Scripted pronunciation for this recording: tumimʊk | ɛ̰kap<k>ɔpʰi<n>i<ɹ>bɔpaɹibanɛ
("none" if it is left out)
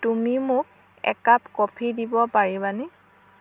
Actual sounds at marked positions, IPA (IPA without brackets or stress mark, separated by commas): k, d, none